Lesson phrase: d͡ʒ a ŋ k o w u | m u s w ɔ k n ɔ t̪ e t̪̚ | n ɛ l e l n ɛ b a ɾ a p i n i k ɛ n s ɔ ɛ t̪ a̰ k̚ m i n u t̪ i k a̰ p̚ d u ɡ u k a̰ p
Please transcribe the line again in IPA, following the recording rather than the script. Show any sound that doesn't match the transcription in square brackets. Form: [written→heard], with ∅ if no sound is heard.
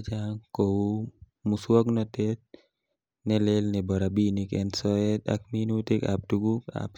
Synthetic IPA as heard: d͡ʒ a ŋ k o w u | m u s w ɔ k n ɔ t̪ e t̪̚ | n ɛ l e l n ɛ b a ɾ a [p→b] i n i k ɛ n s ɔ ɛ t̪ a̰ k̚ m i n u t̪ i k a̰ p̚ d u ɡ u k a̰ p